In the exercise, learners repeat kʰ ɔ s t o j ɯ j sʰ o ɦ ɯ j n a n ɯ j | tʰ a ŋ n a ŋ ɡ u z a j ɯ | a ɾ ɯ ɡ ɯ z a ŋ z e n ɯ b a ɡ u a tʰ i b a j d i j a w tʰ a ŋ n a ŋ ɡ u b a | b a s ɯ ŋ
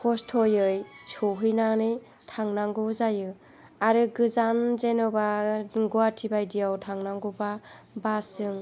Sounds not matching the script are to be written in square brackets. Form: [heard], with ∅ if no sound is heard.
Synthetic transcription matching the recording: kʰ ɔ s [tʰ] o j ɯ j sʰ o ɦ ɯ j n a n ɯ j | tʰ a ŋ n a ŋ ɡ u z a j ɯ | a ɾ ɯ ɡ ɯ z a [n] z e n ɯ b a ɡ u a tʰ i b a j d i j a w tʰ a ŋ n a ŋ ɡ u b a | b a s ɯ ŋ